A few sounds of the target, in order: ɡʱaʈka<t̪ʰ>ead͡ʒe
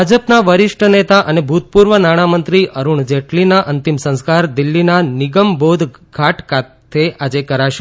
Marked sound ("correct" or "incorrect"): correct